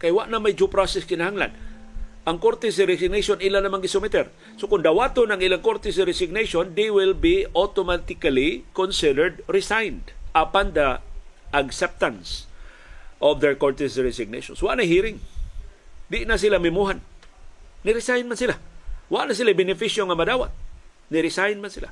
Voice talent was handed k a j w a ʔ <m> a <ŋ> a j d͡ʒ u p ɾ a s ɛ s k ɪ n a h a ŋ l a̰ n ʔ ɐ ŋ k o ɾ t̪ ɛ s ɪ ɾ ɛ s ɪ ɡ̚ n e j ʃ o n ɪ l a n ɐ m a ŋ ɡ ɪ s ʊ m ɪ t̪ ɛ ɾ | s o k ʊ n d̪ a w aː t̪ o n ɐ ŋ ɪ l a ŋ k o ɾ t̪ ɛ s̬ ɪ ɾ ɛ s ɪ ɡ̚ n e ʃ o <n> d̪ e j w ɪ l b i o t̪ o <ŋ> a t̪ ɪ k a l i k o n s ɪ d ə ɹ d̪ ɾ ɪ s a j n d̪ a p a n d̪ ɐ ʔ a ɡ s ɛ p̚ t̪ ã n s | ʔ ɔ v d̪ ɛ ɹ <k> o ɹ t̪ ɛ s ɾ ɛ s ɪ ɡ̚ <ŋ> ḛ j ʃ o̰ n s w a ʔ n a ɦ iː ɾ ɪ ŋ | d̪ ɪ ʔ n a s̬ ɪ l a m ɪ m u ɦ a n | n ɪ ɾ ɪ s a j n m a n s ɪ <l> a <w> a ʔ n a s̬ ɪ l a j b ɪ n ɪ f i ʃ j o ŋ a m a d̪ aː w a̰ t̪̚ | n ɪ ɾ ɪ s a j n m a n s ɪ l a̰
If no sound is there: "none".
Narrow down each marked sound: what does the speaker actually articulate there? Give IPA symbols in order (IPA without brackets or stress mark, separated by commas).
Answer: n, m, n, m, k, n, l, w